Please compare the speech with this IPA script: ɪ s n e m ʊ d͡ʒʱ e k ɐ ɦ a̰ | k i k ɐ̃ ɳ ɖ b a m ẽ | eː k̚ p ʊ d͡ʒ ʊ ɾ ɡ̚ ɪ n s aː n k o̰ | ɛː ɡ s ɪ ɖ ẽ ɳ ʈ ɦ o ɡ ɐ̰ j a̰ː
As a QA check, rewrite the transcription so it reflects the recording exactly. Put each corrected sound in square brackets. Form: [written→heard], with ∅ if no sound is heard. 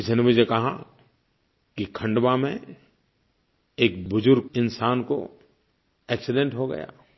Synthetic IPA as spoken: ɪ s n e m ʊ d͡ʒʱ e k ɐ ɦ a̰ | k i [k→kʰ] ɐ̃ ɳ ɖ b a m ẽ | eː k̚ [p→b] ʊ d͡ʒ ʊ ɾ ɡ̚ ɪ n s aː n k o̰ | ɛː [ɡ→k] s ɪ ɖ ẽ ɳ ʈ ɦ o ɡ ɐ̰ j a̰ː

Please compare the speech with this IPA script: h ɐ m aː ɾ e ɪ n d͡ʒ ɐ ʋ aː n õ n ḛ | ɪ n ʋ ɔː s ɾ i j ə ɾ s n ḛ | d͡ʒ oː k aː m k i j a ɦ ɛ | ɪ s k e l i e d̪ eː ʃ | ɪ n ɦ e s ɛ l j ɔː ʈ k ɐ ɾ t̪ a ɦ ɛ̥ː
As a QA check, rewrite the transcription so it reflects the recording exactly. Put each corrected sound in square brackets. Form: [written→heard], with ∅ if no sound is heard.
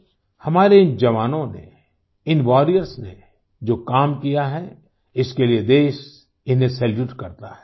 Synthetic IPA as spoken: h ɐ m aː ɾ e ɪ n d͡ʒ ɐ ʋ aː n õ n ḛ | ɪ n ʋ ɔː [s→∅] ɾ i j ə ɾ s n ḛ | d͡ʒ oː k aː m k i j a ɦ ɛ | ɪ s k e l i e d̪ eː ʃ | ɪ n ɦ e s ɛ l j [ɔː→uː] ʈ k ɐ ɾ t̪ a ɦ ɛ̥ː

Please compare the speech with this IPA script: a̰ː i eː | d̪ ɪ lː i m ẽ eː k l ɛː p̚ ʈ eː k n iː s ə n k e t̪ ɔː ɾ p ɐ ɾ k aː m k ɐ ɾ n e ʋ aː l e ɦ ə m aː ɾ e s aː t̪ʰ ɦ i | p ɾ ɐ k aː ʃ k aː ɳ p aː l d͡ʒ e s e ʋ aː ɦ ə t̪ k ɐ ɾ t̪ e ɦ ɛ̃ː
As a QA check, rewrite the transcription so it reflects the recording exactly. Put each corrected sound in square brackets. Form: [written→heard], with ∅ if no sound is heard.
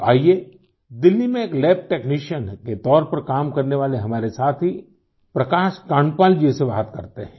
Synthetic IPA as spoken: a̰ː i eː | d̪ ɪ lː i m ẽ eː k l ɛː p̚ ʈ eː k n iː [s→ʃ] ə n k e t̪ ɔː ɾ p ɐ ɾ k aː m k ɐ ɾ n e ʋ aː l e ɦ [ə→ɐ] m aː ɾ e s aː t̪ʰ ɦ i | p ɾ ɐ k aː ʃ k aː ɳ p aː l d͡ʒ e s e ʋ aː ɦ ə t̪ k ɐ ɾ t̪ e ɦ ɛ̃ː

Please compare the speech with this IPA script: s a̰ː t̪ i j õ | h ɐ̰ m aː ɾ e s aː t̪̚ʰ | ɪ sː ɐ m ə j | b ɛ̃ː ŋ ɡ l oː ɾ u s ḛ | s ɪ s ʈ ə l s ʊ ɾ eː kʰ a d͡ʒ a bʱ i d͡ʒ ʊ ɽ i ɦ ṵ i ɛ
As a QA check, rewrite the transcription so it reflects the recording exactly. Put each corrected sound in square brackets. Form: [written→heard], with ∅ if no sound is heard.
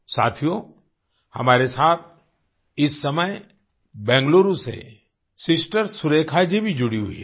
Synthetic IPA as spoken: s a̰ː [t̪→t̪ʰ] i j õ | h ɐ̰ m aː ɾ e s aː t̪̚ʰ | ɪ sː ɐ m ə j | b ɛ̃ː ŋ ɡ l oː ɾ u s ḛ | s ɪ s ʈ ə [l→ɾ] s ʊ ɾ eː kʰ a d͡ʒ [a→i] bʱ i d͡ʒ ʊ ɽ i ɦ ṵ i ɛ

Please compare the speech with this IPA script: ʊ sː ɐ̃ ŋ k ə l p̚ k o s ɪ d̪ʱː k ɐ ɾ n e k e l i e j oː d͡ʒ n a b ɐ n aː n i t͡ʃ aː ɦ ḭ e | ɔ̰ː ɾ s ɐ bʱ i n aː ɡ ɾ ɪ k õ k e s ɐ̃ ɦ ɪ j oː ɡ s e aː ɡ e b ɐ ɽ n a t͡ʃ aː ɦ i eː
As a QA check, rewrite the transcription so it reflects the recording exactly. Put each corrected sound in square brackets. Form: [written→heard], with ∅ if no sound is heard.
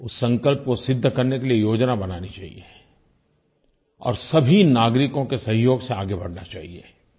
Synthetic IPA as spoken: ʊ sː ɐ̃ ŋ k ə l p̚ k o s ɪ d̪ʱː k ɐ ɾ n e k e l i e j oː d͡ʒ n a b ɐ n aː n i t͡ʃ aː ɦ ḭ e | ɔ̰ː ɾ s ɐ bʱ i n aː ɡ ɾ ɪ k õ k e s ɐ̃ ɦ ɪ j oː ɡ s e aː ɡ e b ɐ ɽ n a t͡ʃ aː ɦ i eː

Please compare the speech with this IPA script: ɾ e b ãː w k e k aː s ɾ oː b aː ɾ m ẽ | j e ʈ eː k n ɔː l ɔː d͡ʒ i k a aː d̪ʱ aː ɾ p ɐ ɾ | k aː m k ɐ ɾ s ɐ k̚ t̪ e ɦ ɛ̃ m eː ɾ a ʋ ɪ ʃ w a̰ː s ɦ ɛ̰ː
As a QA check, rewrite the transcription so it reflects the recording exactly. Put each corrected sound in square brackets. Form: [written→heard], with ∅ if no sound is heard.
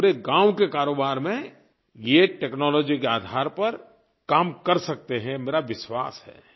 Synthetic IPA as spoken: ɾ e [b→ɡ] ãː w k e k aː [s→∅] ɾ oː b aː ɾ m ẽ | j e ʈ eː k n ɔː l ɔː d͡ʒ i k [a→e] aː d̪ʱ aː ɾ p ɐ ɾ | k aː m k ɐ ɾ s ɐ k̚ t̪ e ɦ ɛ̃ m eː ɾ a ʋ ɪ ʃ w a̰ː s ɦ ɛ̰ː

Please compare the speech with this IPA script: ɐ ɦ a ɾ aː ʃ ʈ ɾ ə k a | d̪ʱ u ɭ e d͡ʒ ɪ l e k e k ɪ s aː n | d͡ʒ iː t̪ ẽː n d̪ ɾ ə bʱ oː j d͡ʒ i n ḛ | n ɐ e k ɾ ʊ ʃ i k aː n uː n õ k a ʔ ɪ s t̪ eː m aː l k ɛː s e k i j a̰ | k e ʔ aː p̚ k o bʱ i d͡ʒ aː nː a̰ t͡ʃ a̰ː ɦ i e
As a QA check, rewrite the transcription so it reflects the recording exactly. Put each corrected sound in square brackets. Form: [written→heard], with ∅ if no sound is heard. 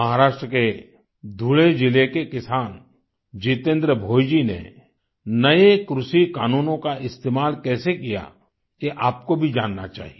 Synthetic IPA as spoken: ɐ ɦ a ɾ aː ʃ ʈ ɾ ə k [a→e] | d̪ʱ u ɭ e d͡ʒ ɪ l e k e k ɪ s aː n | d͡ʒ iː t̪ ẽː n d̪ ɾ ə bʱ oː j d͡ʒ i n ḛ | n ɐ e k ɾ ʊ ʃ i k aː n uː n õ k a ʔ ɪ s t̪ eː m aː l k ɛː s e k i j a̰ | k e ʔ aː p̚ k o bʱ i d͡ʒ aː nː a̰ t͡ʃ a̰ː ɦ i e

